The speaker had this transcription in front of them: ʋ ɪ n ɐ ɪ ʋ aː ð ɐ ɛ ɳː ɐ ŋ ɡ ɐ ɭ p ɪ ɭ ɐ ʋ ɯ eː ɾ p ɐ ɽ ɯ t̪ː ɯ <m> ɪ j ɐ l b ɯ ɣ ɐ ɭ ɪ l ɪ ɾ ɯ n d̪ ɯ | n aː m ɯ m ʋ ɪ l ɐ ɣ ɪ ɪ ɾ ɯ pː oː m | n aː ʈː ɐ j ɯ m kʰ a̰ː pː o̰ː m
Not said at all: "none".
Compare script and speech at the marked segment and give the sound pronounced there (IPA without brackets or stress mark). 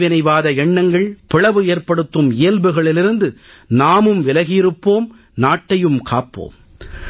m